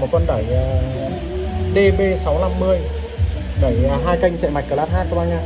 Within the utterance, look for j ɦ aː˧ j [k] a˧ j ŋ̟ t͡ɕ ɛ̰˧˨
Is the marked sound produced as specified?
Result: yes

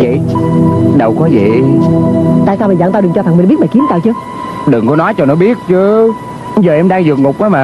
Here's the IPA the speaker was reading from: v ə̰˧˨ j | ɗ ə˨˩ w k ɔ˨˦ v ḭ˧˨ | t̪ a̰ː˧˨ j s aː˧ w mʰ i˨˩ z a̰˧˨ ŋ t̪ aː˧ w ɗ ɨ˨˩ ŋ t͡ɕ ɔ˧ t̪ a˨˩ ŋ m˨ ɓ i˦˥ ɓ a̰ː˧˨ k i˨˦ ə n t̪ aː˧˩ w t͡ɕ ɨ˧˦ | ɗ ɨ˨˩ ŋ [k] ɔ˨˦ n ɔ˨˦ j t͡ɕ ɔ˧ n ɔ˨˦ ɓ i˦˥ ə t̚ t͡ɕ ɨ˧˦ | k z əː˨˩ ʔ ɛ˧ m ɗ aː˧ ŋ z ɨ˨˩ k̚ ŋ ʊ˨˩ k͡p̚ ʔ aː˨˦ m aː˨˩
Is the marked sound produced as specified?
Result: yes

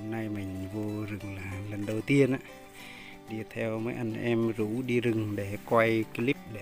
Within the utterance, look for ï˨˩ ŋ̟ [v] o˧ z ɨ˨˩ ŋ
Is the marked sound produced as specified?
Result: yes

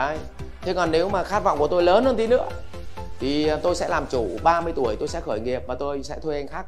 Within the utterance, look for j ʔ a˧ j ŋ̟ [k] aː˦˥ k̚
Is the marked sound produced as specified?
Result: no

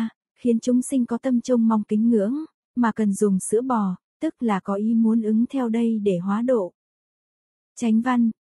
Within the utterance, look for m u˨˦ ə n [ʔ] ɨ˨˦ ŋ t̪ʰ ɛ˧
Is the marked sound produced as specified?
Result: yes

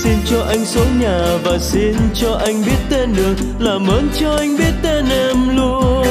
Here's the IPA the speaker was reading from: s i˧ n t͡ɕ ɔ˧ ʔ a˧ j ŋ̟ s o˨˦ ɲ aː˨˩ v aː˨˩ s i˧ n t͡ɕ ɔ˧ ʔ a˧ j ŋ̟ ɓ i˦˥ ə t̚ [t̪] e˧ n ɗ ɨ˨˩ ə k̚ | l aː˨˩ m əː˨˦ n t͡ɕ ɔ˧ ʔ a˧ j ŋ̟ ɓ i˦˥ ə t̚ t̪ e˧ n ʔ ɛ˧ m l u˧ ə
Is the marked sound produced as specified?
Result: yes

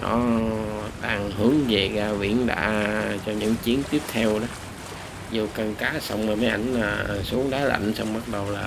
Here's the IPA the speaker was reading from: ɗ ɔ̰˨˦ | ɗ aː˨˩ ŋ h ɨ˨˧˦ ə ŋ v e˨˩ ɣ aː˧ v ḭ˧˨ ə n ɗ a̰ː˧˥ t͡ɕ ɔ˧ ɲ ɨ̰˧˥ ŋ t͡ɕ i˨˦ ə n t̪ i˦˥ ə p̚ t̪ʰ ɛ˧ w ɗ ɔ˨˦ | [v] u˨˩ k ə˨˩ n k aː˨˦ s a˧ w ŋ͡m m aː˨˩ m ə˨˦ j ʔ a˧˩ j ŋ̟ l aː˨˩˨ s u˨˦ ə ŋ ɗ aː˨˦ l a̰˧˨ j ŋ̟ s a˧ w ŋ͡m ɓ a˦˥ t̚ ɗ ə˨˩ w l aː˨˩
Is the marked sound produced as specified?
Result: no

